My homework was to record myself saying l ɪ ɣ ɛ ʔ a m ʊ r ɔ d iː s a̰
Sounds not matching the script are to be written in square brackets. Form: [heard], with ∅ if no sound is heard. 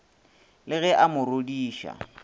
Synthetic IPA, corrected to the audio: l ɪ ɣ ɛ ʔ a m ʊ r [o] d iː [ʃ] a̰